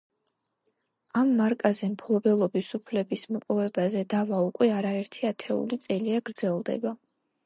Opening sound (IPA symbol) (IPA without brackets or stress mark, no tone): a